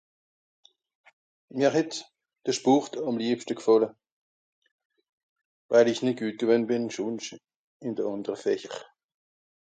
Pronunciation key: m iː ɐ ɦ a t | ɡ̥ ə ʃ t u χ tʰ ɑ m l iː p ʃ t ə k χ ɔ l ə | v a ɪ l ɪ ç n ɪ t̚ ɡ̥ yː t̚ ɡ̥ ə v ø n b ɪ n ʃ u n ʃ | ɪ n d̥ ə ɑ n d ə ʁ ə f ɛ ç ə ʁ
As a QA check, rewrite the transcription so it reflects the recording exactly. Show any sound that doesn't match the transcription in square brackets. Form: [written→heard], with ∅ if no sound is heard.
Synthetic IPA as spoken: m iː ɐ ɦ [a→ɛ] t | [ɡ̥→d̥] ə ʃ [t→p] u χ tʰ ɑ m l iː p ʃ t ə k [χ→f] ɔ l ə | v a ɪ l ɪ ç n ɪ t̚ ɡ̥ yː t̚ ɡ̥ ə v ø n b ɪ n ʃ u n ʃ | ɪ n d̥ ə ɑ n d ə ʁ ə f ɛ ç ə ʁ